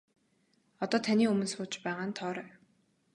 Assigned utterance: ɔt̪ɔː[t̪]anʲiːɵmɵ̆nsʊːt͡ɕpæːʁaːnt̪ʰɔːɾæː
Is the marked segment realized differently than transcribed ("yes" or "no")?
yes